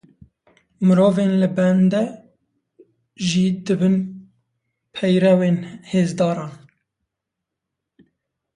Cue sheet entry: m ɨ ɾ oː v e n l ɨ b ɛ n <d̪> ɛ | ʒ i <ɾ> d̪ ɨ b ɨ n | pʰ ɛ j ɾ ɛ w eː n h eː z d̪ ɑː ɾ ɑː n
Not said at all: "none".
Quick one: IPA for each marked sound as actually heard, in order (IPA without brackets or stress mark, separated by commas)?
d̪, none